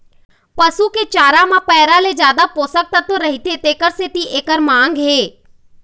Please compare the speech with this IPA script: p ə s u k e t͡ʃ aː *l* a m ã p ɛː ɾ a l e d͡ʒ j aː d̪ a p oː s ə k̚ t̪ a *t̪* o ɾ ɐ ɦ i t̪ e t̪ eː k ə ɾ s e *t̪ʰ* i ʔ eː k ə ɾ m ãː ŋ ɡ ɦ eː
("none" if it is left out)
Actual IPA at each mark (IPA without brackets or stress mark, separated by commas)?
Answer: ɾ, t̪, t̪